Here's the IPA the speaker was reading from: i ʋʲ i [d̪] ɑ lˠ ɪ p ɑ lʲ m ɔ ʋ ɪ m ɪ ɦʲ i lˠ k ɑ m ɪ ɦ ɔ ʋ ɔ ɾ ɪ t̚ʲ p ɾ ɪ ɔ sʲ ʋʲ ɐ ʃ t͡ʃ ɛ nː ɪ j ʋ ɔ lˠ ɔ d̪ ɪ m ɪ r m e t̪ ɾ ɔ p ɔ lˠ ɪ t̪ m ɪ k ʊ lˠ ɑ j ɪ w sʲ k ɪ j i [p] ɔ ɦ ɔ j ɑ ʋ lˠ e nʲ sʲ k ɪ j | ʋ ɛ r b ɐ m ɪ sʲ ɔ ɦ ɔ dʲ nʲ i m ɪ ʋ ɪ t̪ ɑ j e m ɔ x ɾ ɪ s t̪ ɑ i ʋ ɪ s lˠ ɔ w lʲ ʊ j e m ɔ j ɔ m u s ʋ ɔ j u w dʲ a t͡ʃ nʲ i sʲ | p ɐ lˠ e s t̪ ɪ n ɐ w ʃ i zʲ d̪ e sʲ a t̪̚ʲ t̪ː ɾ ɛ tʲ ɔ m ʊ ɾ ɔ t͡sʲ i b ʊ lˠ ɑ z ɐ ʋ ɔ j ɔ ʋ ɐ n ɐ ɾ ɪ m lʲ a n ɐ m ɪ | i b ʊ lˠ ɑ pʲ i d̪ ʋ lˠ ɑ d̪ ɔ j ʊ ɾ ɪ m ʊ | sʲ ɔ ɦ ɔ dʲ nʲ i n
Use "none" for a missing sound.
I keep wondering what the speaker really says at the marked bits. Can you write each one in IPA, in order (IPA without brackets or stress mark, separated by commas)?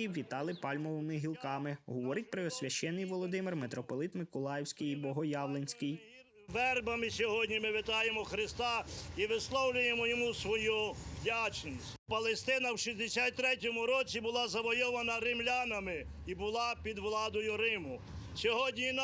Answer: t̪, b